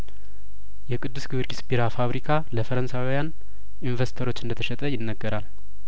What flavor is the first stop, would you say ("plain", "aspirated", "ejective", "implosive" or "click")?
ejective